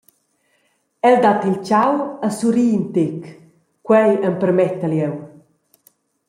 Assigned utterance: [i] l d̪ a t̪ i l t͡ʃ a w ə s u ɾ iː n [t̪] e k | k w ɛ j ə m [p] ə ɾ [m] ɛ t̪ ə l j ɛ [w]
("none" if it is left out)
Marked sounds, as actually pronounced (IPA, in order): ɛ, t̪, p, m, w

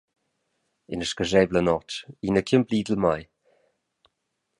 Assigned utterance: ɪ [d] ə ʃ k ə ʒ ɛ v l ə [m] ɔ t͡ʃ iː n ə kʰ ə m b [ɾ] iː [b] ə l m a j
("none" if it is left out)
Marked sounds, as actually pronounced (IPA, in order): n, n, l, d

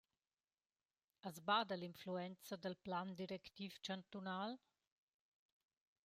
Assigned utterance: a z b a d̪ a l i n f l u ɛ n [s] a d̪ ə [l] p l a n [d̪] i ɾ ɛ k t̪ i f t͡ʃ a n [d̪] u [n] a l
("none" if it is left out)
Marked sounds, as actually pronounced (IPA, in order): t͡s, l, d̪, t̪, n

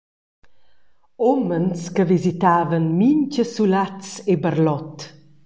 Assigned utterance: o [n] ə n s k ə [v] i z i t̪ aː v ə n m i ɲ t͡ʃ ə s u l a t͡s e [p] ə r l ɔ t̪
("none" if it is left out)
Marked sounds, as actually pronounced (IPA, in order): m, v, b

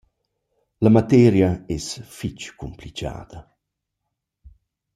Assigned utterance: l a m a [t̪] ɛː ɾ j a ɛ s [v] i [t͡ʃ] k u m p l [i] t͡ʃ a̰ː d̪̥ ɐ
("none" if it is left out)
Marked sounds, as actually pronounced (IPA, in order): t̪, f, t͡ʃ, i

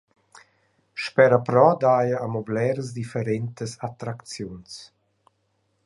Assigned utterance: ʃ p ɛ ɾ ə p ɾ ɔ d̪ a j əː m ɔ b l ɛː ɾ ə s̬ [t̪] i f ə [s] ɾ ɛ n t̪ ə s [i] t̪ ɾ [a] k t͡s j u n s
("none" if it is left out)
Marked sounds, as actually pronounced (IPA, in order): d̪, none, a, a

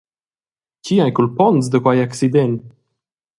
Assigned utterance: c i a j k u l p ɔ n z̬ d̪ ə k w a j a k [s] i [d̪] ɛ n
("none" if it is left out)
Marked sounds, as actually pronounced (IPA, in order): s, d̪

